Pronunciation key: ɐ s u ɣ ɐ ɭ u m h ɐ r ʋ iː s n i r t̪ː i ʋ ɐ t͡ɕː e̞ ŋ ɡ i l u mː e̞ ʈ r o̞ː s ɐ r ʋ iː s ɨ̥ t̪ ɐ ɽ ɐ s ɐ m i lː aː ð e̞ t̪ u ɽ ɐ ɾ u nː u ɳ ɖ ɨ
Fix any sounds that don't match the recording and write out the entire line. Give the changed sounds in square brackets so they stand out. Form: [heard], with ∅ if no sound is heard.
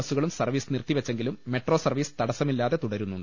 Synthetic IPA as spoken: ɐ s u ɣ ɐ ɭ u m [s] ɐ r ʋ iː s n i r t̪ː i ʋ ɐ t͡ɕː e̞ ŋ ɡ i l u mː e̞ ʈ r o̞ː s ɐ r ʋ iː s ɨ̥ t̪ ɐ ɽ ɐ s ɐ m i lː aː ð e̞ t̪ u ɽ ɐ ɾ u nː u ɳ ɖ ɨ